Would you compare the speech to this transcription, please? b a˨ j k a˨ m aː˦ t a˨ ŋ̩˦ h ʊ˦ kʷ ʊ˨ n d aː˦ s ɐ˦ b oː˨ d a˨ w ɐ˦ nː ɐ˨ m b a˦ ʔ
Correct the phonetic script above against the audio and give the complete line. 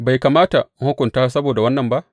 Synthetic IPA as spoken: b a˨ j k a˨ m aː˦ t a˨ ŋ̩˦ h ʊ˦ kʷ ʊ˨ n t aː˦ s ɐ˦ b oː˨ d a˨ w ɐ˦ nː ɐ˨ m b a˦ ʔ